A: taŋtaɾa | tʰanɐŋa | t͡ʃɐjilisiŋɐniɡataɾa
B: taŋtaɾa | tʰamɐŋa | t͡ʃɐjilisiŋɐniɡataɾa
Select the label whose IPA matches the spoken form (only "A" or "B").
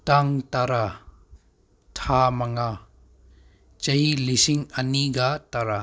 B